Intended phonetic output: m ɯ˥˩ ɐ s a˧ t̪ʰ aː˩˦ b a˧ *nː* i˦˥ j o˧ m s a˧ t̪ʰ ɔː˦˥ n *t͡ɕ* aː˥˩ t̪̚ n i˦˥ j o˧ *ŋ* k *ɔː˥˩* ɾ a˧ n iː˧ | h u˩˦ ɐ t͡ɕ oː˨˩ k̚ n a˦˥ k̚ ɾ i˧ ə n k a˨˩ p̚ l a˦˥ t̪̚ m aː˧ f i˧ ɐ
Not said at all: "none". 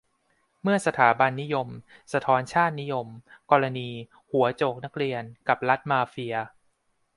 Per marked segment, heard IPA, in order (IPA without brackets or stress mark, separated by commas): nː, t͡ɕʰ, m, ɔː˧